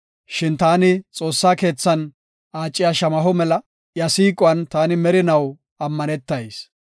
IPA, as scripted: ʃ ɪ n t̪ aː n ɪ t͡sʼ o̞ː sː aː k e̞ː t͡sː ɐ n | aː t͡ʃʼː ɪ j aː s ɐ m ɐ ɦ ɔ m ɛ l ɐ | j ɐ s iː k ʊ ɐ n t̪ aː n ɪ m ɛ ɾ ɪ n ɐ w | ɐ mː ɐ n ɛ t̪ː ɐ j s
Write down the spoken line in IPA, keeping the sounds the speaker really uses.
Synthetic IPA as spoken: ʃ ɪ n t̪ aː n ɪ t͡sʼ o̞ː sː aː k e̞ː t͡sː ɐ n | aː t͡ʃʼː ɪ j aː ʃ ɐ m ɐ ɦ ɔ m ɛ l ɐ | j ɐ s iː kʼ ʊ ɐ n t̪ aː n ɪ m ɛ ɾ ɪ n ɐ w | ɐ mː ɐ n ɛ t̪ː ɐ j s